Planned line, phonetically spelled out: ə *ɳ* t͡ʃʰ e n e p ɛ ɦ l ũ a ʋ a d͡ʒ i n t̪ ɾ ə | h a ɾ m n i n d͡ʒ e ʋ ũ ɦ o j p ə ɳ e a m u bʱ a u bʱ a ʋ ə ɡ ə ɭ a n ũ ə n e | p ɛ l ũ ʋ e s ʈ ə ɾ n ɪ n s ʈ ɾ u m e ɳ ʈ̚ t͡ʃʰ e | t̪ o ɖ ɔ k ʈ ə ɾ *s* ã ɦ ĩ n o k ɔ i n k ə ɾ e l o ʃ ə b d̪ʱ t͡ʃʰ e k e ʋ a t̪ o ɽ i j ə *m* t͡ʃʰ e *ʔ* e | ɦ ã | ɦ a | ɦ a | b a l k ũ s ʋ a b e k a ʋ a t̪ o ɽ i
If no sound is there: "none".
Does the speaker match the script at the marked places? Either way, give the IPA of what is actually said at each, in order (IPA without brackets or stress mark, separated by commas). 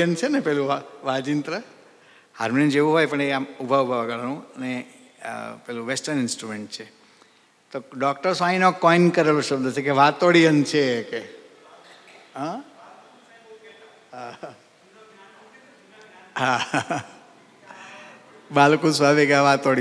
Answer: n, s, n, k